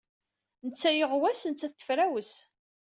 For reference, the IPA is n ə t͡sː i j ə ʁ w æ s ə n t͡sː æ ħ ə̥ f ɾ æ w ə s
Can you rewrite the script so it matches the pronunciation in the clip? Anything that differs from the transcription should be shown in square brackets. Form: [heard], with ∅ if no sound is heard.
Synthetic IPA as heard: n ə t͡sː [æ] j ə ʁ w æ s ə n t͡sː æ [θ] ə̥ f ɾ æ w ə s